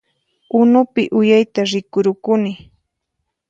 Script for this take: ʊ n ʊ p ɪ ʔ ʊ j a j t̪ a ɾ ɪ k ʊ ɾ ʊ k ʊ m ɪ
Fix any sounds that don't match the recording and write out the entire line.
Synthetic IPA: ʊ n ʊ p ɪ ʔ ʊ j a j t̪ a ɾ ɪ k ʊ ɾ ʊ k ʊ n ɪ

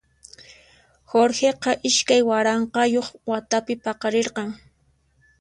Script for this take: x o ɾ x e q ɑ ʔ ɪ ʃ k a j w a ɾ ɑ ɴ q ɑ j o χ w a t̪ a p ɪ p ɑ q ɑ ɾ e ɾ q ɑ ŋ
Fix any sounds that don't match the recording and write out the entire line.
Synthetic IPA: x o ɾ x e q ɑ ʔ ɪ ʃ k a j w a ɾ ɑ ɴ q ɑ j o χ w a t̪ a p ɪ p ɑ q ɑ ɾ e ɾ q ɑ ŋ

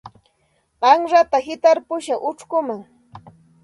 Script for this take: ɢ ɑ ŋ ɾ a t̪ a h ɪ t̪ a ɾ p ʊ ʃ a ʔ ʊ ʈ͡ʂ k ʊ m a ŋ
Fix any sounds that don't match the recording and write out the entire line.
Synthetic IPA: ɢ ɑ ŋ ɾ a t̪ a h ɪ t̪ a ɾ p ʊ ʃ a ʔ ʊ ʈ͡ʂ k ʊ m a ŋ

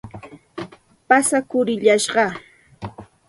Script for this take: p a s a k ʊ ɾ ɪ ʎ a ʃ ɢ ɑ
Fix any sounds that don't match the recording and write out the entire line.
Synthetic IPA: p a s a k ʊ ɾ ɪ ʎ a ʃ ɢ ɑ

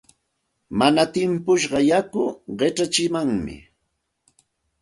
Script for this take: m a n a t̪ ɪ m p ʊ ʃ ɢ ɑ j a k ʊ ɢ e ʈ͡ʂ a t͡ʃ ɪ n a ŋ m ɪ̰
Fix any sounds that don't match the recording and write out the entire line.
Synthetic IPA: m a n a t̪ ɪ m p ʊ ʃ ɢ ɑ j a k ʊ ɢ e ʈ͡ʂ a t͡ʃ ɪ m a ŋ m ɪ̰

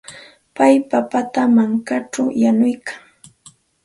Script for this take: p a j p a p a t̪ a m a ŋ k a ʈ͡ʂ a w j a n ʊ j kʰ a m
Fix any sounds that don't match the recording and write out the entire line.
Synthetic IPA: p a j p a p a t̪ a m a ŋ k a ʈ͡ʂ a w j a n ʊ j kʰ a ŋ

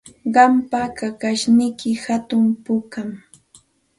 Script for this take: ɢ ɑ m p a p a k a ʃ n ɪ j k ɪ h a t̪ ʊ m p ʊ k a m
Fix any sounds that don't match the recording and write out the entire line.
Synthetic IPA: ɢ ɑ m p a k a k a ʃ n ɪ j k ɪ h a t̪ ʊ m p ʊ k a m

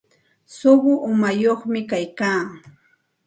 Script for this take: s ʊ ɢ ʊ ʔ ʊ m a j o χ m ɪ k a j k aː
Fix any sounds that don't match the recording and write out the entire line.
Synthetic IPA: s ʊ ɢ ʊ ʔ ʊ m a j o χ m ɪ k a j k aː

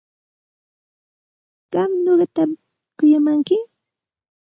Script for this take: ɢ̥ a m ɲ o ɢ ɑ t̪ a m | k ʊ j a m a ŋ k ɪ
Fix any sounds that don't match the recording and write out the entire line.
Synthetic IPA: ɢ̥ ɑ m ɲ o ɢ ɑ t̪ a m | k ʊ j a m a ŋ k ɪ

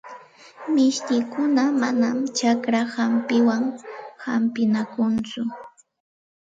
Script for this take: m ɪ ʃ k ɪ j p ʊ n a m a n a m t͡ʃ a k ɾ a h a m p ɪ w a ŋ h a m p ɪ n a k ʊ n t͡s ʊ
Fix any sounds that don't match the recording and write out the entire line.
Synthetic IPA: m ɪ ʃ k ɪ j k ʊ n a m a n a m t͡ʃ a k ɾ a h a m p ɪ w a ŋ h a m p ɪ n a k ʊ n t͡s ʊ

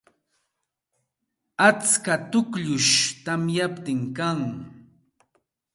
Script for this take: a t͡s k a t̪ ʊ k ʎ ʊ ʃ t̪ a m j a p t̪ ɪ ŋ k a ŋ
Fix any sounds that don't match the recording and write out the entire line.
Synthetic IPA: a t͡s k a t̪ ʊ k ʎ ʊ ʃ t̪ a m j a p t̪ ɪ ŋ k a ŋ

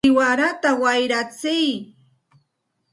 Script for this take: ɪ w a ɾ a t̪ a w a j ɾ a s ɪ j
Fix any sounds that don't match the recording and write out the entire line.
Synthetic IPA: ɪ w a ɾ a t̪ a w a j ɾ a t͡s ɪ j

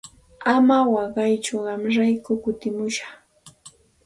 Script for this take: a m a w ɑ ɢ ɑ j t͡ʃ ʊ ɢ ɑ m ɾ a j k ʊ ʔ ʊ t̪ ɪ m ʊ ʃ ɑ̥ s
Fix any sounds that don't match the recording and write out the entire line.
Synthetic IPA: a m a w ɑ ɢ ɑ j t͡ʃ ʊ ɢ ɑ m ɾ a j k ʊ k ʊ t̪ ɪ m ʊ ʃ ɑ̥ χ

